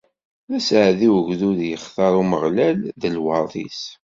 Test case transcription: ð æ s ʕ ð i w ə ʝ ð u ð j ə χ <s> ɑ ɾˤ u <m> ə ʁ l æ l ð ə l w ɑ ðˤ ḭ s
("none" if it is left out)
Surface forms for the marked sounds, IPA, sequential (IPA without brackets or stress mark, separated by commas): θ, m